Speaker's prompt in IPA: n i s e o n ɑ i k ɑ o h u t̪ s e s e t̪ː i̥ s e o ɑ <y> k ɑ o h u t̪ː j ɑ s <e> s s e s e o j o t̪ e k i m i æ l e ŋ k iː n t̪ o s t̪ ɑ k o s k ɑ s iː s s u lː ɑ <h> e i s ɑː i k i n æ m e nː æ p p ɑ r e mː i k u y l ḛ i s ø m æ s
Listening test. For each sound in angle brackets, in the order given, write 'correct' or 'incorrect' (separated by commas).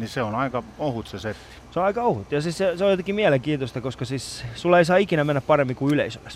incorrect, incorrect, incorrect